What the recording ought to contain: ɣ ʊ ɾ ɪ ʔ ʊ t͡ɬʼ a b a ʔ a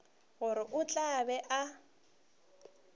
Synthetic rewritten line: ɣ ʊ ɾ ɪ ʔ ʊ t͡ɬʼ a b ɛ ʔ a